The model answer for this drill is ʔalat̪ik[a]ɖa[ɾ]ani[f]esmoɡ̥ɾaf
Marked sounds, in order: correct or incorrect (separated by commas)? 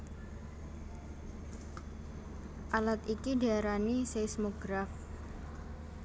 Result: incorrect, correct, incorrect